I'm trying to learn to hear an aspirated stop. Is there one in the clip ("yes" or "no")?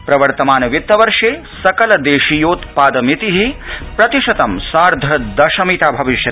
no